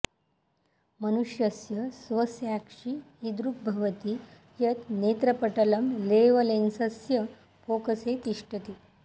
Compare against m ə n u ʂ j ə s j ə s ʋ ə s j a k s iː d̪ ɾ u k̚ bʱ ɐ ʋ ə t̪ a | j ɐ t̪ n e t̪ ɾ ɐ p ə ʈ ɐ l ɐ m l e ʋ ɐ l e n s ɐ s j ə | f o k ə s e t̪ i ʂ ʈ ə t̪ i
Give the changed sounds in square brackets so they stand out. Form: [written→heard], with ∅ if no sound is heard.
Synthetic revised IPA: m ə n u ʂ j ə s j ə s ʋ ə s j a k [s→ʂ] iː d̪ ɾ u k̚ bʱ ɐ ʋ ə t̪ [a→i] | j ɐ t̪ n e t̪ ɾ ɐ p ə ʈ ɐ l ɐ m l e ʋ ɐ l e n s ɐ s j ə | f o k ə s e t̪ i ʂ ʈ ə t̪ i